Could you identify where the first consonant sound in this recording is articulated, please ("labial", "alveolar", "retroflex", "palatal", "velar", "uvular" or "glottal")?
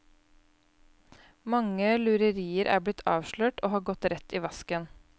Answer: labial